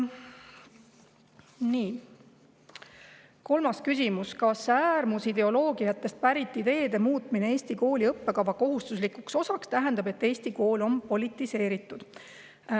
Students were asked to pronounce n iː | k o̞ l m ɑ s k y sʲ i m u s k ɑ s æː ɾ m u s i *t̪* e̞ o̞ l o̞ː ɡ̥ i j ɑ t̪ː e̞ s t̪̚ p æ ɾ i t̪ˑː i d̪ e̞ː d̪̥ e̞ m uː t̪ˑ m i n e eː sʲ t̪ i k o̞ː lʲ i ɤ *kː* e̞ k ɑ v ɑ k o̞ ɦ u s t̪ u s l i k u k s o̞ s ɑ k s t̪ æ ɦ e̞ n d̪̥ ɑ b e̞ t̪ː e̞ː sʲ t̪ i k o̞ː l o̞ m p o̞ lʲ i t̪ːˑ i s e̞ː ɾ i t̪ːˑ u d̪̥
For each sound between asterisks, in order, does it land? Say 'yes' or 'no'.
no, no

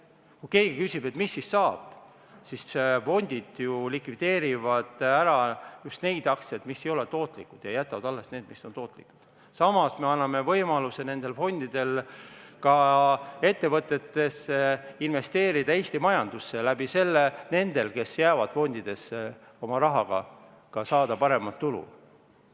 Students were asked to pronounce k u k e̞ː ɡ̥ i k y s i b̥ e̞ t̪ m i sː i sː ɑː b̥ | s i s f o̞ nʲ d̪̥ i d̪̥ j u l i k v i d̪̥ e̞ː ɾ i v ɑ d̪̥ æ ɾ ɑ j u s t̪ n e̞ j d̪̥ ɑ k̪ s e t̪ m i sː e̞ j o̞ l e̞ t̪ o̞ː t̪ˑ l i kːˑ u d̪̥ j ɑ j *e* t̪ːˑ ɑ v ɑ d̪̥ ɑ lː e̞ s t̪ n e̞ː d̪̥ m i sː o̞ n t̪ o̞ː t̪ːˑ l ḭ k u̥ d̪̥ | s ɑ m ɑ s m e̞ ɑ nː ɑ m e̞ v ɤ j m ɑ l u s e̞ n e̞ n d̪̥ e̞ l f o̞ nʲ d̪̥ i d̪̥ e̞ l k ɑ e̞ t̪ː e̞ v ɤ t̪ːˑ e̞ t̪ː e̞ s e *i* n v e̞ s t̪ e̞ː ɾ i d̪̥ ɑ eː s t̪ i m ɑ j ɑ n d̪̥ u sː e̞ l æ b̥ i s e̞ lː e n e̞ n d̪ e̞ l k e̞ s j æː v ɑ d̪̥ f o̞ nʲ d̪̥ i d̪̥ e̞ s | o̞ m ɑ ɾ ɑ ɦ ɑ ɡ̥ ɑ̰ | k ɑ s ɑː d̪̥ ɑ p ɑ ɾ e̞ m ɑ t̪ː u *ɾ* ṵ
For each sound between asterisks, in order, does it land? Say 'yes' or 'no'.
no, yes, no

